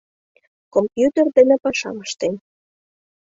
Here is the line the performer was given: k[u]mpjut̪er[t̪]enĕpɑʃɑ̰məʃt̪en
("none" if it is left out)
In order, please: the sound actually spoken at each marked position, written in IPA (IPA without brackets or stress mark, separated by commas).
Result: o, d̪